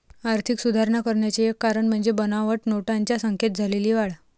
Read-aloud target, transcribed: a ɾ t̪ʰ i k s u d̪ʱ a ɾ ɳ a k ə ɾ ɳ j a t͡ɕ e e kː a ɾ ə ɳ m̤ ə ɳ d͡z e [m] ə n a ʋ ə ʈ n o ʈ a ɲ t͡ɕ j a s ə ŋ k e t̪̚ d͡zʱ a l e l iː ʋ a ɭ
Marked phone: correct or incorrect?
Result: incorrect